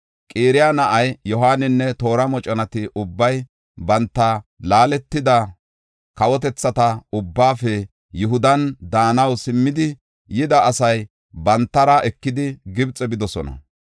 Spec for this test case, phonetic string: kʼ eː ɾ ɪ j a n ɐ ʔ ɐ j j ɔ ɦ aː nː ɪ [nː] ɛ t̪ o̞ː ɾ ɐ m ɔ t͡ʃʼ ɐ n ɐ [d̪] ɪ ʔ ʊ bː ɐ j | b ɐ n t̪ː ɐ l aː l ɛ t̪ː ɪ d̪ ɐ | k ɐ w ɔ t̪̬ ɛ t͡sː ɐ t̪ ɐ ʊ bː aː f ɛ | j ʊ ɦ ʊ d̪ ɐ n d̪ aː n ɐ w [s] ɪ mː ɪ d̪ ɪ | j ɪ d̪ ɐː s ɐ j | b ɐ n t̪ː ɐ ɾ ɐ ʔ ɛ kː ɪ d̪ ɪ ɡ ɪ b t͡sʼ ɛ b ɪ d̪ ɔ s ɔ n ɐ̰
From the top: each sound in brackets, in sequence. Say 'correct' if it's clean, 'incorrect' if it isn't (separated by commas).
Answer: correct, incorrect, correct